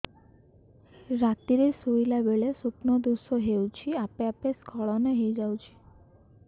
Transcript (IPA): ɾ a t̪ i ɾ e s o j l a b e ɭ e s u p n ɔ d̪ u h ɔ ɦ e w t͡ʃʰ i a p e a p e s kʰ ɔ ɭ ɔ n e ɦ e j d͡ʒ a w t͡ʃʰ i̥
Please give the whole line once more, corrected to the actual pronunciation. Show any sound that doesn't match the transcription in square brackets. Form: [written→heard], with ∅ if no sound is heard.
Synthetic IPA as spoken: ɾ a t̪ i ɾ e s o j l a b e ɭ e s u p n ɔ d̪ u [h→s] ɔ ɦ e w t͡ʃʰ i a p e a p e s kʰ ɔ ɭ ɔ n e ɦ e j d͡ʒ a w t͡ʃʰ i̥